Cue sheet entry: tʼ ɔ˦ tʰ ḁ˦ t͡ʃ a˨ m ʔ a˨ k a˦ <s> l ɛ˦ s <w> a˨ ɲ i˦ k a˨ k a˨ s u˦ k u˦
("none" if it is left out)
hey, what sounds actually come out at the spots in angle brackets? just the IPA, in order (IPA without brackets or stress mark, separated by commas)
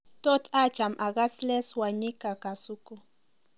s, w